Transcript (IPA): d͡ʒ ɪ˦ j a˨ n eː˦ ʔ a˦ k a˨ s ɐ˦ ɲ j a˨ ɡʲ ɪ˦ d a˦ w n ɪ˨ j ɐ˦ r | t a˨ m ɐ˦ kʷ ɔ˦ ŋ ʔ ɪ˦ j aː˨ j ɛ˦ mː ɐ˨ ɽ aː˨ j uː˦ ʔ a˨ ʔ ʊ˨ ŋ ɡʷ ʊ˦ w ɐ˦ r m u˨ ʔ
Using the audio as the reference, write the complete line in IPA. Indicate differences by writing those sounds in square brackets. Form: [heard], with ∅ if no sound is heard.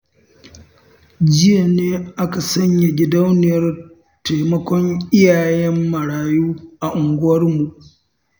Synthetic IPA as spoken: d͡ʒ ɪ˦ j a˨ n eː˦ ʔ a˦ k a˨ s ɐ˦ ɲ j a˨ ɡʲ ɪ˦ d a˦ w n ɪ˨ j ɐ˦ r | t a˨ m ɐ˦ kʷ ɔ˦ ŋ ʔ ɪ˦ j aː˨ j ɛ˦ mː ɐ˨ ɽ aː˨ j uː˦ ʔ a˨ ʔ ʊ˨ ŋ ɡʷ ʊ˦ w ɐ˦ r m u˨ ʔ